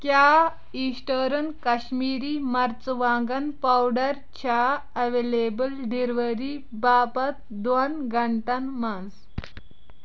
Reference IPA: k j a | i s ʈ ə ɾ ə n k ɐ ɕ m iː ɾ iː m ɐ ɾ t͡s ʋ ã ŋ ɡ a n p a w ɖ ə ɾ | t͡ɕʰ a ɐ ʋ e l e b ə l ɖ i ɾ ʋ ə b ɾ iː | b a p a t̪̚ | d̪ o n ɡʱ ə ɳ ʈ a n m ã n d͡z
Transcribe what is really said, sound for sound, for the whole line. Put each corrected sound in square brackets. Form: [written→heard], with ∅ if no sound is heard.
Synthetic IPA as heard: k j a | i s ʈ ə ɾ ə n k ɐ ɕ m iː ɾ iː m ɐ ɾ t͡s ʋ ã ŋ ɡ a n p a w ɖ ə ɾ | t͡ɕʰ a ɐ ʋ e l e b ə l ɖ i ɾ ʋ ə [b→∅] ɾ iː | b a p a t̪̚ | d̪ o n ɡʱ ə ɳ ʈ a n m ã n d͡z